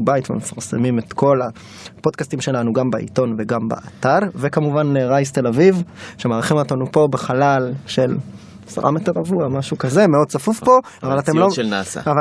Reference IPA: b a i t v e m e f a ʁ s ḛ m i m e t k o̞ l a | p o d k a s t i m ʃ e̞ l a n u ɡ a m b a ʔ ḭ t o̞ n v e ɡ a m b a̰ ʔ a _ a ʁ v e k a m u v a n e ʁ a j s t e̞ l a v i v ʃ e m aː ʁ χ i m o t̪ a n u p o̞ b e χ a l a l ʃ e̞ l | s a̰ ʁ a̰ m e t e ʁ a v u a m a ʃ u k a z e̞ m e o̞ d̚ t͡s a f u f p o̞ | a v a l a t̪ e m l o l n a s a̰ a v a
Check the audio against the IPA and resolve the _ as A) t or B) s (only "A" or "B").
A